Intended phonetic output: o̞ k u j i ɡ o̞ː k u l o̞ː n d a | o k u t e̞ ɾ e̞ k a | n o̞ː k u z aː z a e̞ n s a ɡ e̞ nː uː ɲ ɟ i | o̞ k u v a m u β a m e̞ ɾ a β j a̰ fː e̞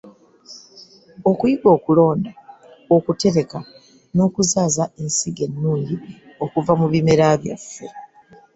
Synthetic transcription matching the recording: o̞ k u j i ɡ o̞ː k u l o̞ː n d a | o k u t e̞ ɾ e̞ k a | n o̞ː k u z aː z a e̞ n s i ɡ e̞ nː uː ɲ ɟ i | o̞ k u v a m u β i m e̞ ɾ a β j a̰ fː e̞